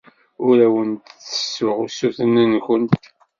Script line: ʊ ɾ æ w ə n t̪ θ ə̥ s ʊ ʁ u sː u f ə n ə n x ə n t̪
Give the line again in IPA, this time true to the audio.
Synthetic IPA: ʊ ɾ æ w ə n t̪ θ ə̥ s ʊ ʁ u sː u θ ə n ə n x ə n t̪